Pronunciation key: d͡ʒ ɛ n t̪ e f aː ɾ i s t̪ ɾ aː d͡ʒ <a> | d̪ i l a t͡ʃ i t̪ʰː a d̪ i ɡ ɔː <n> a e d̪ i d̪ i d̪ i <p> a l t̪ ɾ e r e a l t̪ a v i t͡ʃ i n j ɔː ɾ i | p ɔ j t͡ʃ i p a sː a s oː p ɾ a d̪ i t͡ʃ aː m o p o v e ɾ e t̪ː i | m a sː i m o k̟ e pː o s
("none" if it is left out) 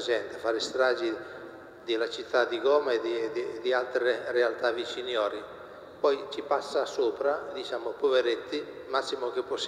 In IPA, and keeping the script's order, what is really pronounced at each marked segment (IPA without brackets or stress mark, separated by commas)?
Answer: i, m, none